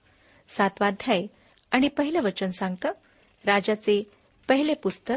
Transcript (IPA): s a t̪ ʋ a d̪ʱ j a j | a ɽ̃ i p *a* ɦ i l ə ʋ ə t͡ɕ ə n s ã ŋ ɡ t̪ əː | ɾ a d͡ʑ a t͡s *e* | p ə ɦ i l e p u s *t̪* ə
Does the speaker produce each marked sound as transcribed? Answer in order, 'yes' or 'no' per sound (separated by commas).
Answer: no, yes, yes